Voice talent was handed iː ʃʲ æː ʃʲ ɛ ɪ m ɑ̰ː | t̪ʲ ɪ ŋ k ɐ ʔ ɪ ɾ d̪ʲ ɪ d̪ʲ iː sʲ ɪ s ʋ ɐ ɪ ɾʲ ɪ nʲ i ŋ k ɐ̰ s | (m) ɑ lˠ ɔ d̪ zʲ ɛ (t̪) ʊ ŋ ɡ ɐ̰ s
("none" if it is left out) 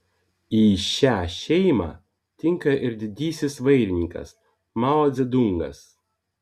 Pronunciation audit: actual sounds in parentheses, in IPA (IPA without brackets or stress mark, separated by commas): m, d̪